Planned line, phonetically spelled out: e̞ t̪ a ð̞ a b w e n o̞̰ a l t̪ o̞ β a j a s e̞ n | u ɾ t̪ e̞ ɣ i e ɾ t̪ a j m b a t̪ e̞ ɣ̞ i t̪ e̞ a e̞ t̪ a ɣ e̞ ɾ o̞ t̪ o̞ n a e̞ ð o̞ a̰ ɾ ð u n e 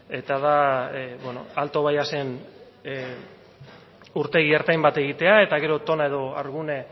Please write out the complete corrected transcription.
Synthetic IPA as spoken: e̞ t̪ a ð̞ a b w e n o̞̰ a l t̪ o̞ β a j a s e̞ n | u ɾ t̪ e̞ ɣ i e ɾ t̪ a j m b a t̪ e̞ ɣ̞ i t̪ e̞ a e̞ t̪ a ɣ e̞ ɾ o̞ t̪ o̞ n a e̞ ð o̞ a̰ ɾ ɣ u n e

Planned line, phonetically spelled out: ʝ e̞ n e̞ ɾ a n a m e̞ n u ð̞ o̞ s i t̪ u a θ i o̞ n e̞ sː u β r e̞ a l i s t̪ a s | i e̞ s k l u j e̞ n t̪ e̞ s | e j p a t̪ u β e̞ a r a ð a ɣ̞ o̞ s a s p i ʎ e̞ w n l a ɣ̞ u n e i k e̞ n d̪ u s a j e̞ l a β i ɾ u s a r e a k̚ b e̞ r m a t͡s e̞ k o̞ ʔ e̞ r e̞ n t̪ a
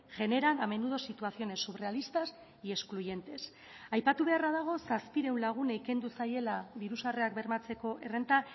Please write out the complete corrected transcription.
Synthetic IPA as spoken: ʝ e̞ n e̞ ɾ a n a m e̞ n u ð̞ o̞ s i t̪ u a θ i o̞ n e̞ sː u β r e̞ a l i s t̪ a s | i e̞ s k l u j e̞ n t̪ e̞ s | a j p a t̪ u β e̞ a r a ð a ɣ̞ o̞ s a s p i ɾ e̞ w n l a ɣ̞ u n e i k e̞ n d̪ u s a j e̞ l a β i ɾ u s a r e a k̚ b e̞ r m a t͡s e̞ k o̞ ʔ e̞ r e̞ n t̪ a

